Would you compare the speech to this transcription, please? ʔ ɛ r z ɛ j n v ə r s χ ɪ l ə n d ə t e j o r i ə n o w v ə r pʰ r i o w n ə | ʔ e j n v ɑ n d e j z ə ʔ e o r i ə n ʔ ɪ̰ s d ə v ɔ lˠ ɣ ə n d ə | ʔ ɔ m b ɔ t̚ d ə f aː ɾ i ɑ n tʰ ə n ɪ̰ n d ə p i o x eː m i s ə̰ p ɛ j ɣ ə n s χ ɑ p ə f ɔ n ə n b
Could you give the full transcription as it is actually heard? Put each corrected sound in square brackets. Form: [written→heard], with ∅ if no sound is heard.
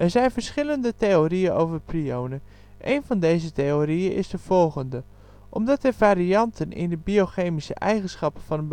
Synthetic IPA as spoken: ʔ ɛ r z ɛ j n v ə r s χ ɪ l ə n d ə t e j o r i ə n o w v ə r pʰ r i o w n ə | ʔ e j n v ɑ n d e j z ə [ʔ→t] e o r i ə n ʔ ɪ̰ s d ə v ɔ lˠ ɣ ə n d ə | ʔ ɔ m [b→d] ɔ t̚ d ə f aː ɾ i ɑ n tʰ ə n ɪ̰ n d ə [p→b] i o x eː m i s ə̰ [p→ʔ] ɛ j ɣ ə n s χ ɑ p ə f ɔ n ə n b